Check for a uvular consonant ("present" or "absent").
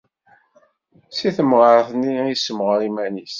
present